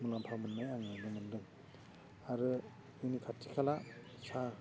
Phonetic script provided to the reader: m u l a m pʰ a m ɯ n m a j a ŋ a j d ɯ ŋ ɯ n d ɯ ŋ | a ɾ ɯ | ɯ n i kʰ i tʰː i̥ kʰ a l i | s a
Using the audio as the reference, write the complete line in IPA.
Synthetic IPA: m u l a m pʰ a m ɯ n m a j a ŋ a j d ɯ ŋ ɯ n d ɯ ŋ | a ɾ ɯ | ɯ n i kʰ a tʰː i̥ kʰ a l a | s a